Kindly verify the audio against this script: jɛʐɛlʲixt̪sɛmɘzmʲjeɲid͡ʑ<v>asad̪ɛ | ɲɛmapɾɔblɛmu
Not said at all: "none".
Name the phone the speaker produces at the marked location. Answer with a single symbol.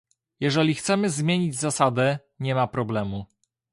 z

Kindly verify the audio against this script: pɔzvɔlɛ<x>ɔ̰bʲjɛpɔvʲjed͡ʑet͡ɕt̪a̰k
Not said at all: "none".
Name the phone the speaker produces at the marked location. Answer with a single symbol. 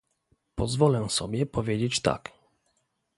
s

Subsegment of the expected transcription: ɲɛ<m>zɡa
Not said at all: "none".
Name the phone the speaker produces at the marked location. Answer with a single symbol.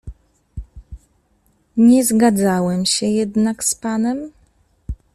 none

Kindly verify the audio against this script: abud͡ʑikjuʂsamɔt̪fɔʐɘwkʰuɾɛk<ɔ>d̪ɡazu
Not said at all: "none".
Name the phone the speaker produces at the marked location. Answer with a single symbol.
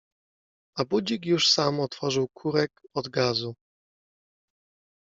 ɔ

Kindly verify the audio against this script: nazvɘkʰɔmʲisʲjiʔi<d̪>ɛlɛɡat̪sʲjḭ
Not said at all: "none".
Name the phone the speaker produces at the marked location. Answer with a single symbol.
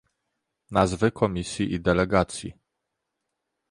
d̪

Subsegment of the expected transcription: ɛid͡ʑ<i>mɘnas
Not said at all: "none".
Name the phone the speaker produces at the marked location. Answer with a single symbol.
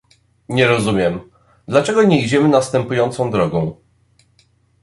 ɛ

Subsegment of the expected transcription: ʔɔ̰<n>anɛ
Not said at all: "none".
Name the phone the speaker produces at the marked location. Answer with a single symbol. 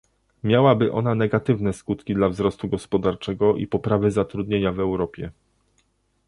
n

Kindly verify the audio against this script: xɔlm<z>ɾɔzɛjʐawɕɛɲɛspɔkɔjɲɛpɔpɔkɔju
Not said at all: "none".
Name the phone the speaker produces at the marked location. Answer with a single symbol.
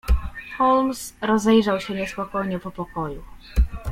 s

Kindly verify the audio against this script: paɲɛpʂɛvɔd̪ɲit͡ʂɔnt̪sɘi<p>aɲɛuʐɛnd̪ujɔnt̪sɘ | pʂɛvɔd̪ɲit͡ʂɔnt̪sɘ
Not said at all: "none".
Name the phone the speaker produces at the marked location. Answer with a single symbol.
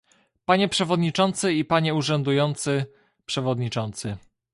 p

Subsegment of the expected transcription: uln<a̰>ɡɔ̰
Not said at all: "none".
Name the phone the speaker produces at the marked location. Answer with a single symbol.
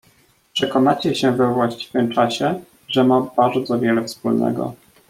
ɛ̰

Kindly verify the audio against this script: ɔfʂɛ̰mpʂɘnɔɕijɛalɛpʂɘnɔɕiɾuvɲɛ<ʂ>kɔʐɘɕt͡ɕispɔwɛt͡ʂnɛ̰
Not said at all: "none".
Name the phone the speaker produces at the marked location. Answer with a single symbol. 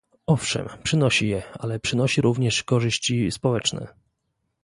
ʂ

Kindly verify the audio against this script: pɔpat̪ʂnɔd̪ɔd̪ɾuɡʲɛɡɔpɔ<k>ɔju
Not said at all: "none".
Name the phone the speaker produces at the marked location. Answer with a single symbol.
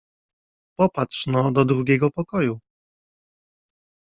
k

